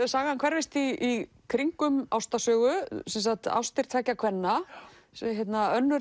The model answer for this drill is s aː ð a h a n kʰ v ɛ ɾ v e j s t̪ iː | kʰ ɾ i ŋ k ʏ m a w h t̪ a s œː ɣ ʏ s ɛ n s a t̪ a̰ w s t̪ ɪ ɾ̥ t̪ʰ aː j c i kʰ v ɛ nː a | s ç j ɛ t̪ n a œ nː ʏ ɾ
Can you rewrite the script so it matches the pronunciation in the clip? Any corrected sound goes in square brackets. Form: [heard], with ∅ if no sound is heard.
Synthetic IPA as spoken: s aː [ɣ] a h a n kʰ v ɛ ɾ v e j s t̪ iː | kʰ ɾ i ŋ k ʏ m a w [s] t̪ a s œː ɣ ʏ s ɛ n s a t̪ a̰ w s t̪ ɪ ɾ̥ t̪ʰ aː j c [a] kʰ v ɛ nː a | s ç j ɛ t̪ n a œ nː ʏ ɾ